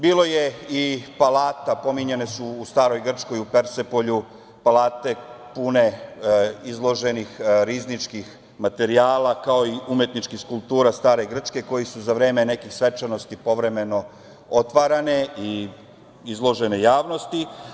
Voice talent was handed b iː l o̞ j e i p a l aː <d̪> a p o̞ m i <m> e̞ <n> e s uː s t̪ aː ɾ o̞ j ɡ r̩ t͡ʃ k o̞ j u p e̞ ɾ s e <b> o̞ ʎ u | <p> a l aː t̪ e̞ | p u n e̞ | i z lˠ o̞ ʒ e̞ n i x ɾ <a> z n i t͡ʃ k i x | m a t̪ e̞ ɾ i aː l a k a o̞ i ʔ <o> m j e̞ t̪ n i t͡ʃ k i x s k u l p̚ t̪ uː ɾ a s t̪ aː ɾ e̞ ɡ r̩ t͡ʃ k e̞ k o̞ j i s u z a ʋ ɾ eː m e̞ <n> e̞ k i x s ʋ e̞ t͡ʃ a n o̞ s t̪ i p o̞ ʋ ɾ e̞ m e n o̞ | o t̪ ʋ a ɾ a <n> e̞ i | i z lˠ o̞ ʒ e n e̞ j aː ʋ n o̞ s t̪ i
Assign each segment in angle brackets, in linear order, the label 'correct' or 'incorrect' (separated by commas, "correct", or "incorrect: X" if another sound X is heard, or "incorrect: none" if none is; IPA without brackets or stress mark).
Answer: incorrect: t̪, incorrect: ɲ, correct, incorrect: p, correct, incorrect: i, incorrect: u, correct, correct